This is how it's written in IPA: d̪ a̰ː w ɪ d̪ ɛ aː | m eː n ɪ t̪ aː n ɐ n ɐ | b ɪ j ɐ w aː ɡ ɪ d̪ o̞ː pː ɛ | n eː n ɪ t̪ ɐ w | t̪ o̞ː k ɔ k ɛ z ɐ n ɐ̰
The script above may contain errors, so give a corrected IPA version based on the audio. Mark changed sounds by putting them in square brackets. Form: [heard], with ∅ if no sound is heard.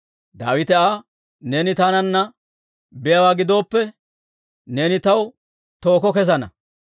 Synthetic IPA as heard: d̪ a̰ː w ɪ [t̪] ɛ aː | [n] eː n ɪ t̪ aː n ɐ [nː] ɐ | b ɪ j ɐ w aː ɡ ɪ d̪ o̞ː pː ɛ | n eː n ɪ t̪ ɐ w | t̪ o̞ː k ɔ k ɛ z ɐ n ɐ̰